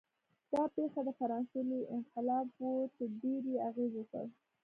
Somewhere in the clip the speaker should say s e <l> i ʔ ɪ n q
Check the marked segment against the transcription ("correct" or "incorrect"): correct